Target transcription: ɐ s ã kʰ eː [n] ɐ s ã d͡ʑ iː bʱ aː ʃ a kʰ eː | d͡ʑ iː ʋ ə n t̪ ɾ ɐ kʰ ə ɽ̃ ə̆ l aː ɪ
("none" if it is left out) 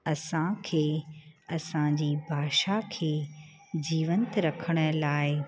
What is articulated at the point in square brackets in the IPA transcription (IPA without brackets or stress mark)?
none